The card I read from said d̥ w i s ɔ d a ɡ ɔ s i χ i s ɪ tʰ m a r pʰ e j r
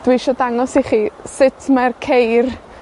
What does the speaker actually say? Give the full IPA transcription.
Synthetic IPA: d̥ w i ʃ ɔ d a ŋ ɔ s i χ i s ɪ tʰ m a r kʰ e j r